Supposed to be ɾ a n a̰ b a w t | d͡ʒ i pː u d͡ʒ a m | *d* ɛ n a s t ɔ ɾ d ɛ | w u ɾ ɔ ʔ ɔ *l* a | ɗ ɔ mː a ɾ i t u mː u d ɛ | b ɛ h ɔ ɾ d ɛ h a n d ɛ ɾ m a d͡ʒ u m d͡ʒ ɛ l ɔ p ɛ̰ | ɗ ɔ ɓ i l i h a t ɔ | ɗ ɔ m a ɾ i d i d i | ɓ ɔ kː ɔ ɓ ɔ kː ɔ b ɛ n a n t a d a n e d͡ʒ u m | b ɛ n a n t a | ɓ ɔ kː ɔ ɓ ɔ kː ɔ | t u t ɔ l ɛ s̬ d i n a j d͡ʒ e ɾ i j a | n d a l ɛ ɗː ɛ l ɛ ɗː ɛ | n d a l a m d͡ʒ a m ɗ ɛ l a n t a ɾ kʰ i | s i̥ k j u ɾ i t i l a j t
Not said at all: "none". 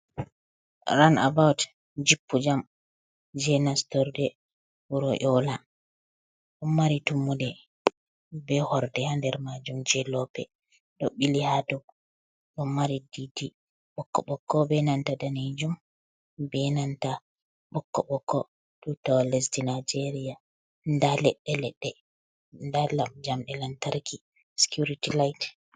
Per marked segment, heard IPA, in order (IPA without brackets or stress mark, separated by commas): d͡ʒ, l